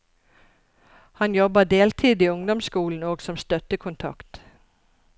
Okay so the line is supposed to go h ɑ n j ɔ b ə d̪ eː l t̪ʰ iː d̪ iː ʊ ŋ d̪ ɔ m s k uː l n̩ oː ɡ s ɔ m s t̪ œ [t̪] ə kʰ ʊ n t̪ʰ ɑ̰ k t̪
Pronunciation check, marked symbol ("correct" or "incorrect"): correct